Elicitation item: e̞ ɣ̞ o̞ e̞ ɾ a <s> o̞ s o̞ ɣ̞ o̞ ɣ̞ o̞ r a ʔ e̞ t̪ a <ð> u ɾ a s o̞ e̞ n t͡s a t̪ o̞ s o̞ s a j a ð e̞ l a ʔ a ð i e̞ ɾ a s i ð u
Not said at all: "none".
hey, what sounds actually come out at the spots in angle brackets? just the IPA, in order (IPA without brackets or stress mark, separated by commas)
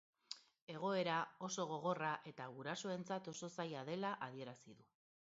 none, ɣ